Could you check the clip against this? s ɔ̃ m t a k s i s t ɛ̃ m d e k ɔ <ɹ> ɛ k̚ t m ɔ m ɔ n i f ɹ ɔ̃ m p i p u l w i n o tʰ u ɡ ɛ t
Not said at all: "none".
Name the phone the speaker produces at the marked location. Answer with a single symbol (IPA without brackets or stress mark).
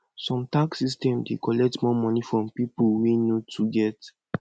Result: l